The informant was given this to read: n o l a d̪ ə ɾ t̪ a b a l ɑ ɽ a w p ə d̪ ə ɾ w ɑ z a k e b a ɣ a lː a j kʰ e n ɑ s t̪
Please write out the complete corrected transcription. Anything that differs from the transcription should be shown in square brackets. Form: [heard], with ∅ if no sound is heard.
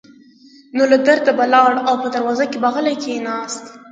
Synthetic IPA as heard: n o l a d̪ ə ɾ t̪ a b a l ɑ ɽ a w p ə d̪ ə ɾ w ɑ z a k e b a ɣ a [l] a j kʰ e n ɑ s t̪